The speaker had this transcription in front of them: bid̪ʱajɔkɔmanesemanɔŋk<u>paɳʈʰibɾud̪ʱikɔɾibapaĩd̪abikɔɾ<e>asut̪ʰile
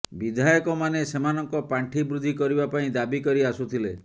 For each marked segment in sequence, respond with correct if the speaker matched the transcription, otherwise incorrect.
incorrect, incorrect

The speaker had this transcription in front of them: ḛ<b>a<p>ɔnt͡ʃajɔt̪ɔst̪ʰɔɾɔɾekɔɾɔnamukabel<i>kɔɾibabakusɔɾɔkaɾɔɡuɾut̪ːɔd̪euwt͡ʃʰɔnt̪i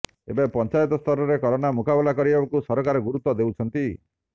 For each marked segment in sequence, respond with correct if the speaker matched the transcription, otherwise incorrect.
correct, correct, incorrect

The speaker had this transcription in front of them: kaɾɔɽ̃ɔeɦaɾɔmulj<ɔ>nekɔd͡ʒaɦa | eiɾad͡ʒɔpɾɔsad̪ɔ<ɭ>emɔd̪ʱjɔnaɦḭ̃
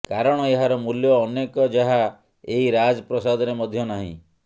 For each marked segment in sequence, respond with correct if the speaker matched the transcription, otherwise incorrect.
incorrect, incorrect

